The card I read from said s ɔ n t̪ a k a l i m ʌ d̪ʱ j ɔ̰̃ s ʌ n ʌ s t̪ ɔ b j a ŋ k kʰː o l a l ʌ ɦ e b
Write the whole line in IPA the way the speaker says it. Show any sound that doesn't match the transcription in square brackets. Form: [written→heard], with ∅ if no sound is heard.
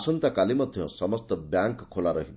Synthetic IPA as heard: s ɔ n t̪ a k a l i m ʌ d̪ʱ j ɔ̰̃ s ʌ [n→m] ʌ s t̪ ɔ b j a ŋ k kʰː o l a [l→ɾ] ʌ ɦ [e→i] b